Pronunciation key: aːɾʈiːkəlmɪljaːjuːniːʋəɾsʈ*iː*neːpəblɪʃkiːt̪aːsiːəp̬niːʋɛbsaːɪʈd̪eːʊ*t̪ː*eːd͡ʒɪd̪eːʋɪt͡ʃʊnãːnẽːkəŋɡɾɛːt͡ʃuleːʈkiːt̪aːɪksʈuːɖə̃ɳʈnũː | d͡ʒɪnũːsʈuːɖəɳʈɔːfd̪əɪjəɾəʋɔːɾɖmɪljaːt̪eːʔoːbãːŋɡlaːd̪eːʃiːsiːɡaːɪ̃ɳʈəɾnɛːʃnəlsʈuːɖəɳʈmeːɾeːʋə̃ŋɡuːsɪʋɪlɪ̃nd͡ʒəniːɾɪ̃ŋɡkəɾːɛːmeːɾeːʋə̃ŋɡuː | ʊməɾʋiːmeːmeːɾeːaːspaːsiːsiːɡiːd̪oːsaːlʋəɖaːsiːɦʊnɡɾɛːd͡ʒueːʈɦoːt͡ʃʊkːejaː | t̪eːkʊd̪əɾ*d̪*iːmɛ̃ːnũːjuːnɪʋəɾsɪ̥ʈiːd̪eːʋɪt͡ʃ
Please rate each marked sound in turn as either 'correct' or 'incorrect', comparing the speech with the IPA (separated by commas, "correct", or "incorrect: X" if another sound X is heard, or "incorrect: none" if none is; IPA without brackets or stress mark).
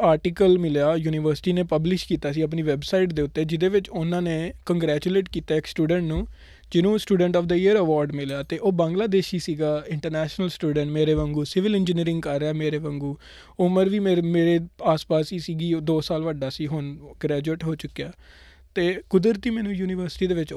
correct, correct, incorrect: t̪